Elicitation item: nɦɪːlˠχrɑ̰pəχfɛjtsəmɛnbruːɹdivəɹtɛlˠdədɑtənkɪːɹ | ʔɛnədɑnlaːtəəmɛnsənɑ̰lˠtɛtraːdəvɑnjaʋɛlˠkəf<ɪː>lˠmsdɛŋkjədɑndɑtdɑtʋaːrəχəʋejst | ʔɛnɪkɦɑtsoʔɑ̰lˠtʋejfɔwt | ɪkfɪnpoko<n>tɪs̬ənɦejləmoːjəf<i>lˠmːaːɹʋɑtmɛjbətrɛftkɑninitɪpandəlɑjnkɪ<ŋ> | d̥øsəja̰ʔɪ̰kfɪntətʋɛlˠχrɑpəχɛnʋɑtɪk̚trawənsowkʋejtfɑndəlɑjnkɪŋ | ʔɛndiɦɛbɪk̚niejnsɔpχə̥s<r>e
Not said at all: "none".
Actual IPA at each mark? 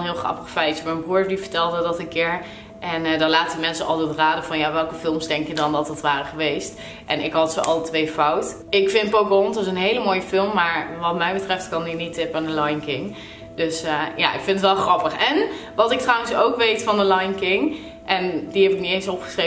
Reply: ɪ, n, ɪ, ŋ, r

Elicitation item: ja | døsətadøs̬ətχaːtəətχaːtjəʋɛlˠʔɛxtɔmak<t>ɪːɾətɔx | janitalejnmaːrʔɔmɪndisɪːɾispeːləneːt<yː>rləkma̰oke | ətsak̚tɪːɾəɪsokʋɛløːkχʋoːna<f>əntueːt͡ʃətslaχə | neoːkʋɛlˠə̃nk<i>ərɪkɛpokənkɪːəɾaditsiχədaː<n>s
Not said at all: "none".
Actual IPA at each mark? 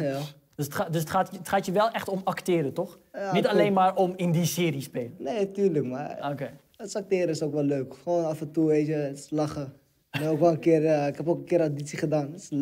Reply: t, yː, f, ɪ, n

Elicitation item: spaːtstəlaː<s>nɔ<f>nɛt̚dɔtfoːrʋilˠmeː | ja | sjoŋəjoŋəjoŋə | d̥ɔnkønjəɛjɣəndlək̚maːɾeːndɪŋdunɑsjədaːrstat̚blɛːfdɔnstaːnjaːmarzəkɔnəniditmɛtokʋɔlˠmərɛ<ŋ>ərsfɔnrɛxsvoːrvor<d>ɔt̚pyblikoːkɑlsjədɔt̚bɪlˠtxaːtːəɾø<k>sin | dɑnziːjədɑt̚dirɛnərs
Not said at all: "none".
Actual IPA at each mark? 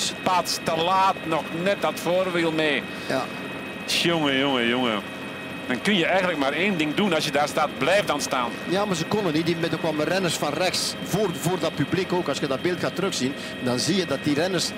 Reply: t, x, n, d, x

